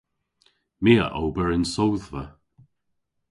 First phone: m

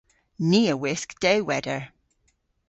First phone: n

